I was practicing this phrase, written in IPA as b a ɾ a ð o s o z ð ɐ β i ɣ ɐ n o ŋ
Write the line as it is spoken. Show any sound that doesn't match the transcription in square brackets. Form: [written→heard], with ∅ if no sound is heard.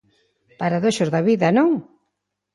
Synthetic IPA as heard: [b→p] a ɾ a ð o [s→ʃ] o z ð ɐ β i [ɣ→ð] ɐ n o ŋ